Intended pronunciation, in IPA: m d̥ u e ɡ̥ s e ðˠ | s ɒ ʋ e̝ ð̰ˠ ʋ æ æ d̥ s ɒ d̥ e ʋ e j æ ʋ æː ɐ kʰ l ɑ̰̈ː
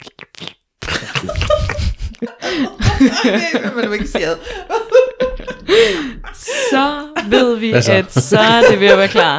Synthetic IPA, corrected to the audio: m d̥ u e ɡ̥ s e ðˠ | s ɒ ʋ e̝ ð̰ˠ ʋ i æ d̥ s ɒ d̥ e ʋ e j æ ʋ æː ɐ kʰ l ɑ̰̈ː